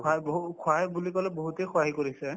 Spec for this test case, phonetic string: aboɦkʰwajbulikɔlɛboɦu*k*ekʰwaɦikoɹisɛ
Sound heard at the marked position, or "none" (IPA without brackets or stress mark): t